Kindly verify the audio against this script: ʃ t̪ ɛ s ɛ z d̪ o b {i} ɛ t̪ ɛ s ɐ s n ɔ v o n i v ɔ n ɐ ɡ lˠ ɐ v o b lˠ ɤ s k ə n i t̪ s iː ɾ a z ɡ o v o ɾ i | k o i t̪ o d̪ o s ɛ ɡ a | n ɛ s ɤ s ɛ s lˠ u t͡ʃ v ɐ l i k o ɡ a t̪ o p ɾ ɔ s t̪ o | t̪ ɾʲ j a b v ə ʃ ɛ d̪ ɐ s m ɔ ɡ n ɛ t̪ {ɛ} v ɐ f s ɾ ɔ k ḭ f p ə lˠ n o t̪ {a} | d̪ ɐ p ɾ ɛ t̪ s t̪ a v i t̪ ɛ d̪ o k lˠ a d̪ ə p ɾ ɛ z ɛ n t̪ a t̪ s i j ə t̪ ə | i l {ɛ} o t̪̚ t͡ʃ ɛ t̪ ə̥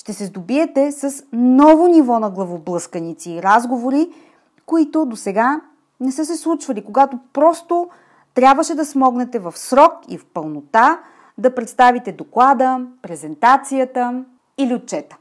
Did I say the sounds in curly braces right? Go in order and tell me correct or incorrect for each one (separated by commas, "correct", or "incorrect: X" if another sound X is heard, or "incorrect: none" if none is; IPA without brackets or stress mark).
correct, correct, correct, incorrect: i